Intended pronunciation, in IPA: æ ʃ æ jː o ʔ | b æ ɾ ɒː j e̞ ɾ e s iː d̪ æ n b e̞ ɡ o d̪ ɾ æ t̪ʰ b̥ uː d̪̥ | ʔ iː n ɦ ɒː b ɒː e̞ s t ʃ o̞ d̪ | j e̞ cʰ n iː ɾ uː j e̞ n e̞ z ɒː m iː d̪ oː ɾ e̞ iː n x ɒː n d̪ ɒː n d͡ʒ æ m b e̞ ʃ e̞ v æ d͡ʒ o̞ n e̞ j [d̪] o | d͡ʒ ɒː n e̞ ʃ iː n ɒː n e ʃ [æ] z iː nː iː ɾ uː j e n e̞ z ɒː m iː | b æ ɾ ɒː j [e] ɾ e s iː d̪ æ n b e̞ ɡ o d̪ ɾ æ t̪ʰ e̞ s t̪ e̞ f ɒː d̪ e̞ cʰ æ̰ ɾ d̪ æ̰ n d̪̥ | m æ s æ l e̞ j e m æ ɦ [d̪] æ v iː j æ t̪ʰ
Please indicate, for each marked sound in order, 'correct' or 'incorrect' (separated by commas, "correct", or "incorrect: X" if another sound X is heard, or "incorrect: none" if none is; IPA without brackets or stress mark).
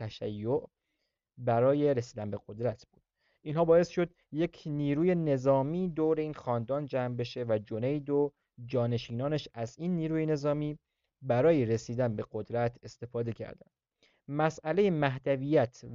correct, correct, correct, correct